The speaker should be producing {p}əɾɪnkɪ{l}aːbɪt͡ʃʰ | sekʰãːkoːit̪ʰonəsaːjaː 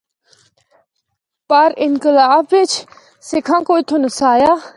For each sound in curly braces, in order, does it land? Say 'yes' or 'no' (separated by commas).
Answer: yes, yes